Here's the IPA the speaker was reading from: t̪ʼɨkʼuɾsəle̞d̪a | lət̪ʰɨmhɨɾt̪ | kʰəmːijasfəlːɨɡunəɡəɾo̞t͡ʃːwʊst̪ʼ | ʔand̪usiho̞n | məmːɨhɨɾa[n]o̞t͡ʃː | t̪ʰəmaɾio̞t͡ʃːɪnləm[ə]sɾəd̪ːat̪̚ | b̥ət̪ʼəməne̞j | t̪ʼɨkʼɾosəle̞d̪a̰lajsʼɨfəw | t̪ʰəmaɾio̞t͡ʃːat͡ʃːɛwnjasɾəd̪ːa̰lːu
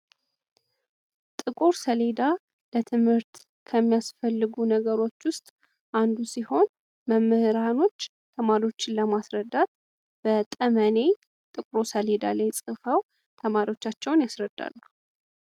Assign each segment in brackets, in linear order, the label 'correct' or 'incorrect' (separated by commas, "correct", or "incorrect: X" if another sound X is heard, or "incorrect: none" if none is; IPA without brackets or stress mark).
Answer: correct, incorrect: a